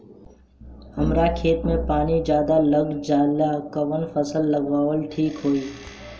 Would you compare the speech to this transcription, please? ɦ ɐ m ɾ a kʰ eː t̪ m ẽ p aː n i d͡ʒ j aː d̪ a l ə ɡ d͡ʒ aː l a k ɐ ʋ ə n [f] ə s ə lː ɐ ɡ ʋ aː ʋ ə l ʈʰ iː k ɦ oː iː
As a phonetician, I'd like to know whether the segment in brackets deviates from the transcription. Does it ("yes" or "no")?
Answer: no